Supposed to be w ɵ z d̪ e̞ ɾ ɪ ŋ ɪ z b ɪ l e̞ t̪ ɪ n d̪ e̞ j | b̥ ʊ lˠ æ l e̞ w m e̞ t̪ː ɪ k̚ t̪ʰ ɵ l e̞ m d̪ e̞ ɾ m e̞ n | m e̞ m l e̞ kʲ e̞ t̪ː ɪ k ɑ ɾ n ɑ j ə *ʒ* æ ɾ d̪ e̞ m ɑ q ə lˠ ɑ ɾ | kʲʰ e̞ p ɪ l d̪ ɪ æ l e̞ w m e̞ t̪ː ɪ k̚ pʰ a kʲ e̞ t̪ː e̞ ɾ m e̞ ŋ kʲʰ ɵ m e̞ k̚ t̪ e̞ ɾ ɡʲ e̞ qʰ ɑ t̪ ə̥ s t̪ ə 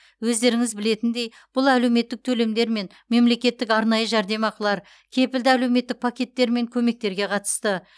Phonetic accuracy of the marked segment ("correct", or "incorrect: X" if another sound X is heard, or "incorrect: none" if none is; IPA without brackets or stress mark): correct